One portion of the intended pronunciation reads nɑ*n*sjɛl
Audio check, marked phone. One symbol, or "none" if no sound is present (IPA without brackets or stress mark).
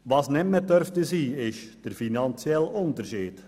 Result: n